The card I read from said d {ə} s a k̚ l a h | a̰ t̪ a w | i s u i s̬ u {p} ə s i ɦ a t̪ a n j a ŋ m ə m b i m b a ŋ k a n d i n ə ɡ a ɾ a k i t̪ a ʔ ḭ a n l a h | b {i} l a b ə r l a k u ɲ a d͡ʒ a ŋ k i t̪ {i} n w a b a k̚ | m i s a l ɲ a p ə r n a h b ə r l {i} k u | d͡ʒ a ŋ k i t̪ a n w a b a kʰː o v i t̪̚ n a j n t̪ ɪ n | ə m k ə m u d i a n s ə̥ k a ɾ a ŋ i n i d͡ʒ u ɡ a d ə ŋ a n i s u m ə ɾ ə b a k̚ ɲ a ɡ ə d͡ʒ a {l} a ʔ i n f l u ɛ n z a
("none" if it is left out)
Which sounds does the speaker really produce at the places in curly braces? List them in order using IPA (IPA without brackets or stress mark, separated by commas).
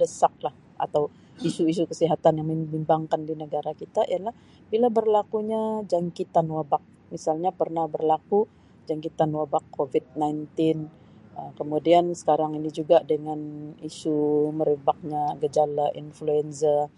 ə, k, i, a, a, l